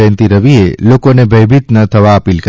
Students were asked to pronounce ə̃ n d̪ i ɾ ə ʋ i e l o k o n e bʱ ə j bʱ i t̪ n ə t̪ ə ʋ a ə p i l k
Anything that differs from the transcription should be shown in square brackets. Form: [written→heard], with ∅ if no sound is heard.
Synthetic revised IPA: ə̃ n [d̪→t̪] i ɾ ə ʋ i e l o k o n e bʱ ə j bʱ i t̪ n ə [t̪→t̪ʰ] ə ʋ a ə p i l k